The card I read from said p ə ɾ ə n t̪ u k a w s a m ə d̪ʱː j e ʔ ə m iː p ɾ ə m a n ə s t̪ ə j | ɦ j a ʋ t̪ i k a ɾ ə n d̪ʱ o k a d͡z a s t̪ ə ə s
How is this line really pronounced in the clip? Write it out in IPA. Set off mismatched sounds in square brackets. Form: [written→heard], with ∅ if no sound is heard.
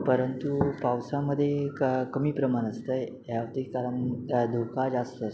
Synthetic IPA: p ə ɾ ə n t̪ u [k→p] a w s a m ə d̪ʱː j e [ʔ→k] ə m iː p ɾ ə m a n ə s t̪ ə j | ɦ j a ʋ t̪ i k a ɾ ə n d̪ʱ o k a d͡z a s t̪ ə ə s